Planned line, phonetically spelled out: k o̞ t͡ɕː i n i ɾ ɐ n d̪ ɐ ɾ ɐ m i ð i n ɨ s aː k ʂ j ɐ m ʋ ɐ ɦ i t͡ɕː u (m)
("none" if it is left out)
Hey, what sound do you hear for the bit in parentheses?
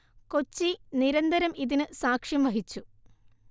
none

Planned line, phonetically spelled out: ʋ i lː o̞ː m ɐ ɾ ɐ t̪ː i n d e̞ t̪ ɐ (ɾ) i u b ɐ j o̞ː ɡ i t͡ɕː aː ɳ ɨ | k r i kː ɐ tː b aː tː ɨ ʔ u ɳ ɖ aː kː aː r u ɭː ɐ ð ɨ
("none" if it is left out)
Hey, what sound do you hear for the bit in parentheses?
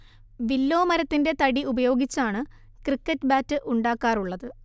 ɽ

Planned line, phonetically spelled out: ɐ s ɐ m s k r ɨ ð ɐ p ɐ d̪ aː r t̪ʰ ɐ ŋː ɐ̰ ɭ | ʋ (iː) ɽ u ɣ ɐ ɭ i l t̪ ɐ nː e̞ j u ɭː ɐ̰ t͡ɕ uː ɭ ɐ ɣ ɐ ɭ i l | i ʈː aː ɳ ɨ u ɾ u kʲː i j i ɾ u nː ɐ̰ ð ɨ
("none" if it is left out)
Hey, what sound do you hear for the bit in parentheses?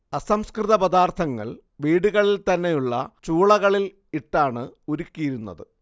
iː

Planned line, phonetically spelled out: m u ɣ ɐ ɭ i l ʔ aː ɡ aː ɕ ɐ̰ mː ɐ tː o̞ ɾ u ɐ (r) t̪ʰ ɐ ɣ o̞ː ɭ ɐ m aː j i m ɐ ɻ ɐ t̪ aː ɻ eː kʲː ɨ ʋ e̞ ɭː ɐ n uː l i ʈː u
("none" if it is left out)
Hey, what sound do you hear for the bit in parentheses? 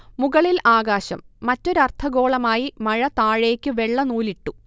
r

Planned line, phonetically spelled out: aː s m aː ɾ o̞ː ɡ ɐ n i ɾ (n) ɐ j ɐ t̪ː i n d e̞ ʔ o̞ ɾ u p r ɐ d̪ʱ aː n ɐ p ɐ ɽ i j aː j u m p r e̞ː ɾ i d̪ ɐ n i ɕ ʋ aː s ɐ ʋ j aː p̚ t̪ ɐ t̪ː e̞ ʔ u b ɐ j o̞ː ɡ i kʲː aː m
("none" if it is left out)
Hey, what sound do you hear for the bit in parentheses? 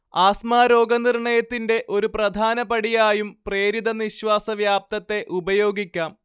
ɳ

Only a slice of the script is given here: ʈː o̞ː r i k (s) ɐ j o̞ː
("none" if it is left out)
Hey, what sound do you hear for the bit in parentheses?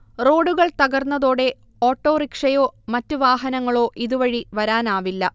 ʂ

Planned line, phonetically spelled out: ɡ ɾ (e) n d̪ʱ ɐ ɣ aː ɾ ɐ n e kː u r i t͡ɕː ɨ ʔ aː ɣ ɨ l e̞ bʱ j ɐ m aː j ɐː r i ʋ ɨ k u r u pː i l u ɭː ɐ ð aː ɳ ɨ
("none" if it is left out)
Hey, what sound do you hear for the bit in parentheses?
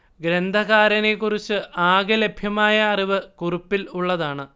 e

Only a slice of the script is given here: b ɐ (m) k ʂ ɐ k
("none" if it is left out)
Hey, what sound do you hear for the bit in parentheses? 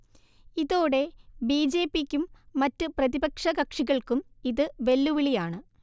none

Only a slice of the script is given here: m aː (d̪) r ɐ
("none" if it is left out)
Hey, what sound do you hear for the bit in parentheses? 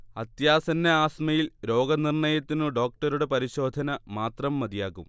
t̪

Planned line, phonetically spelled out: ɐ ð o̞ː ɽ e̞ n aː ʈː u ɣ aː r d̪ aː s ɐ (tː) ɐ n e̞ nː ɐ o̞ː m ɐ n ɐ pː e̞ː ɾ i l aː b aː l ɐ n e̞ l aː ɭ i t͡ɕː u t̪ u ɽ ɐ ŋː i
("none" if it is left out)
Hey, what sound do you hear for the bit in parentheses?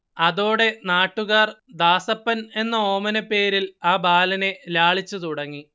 pː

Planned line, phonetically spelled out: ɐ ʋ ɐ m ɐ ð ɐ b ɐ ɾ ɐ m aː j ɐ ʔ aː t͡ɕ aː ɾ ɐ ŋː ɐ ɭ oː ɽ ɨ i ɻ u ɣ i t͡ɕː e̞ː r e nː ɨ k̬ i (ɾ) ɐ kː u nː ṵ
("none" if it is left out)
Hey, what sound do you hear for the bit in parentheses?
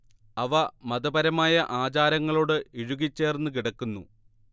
ɽ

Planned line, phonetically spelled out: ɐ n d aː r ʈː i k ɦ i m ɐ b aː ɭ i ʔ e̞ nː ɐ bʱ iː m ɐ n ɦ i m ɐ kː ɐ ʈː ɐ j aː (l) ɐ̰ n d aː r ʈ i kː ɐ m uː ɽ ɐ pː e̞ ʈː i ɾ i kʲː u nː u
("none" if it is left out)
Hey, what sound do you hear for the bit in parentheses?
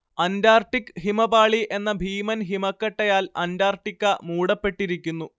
l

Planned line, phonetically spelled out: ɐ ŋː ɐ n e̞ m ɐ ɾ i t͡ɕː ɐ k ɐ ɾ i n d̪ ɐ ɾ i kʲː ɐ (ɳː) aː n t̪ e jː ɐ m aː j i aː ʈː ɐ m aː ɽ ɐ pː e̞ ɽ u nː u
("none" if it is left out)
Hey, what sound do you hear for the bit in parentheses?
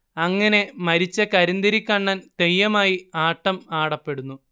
ɳː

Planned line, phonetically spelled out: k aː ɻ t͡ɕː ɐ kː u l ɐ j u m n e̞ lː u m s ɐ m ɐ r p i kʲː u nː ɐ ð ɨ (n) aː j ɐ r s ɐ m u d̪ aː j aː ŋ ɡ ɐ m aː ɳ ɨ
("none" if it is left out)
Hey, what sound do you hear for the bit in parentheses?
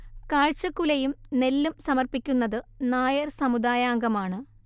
n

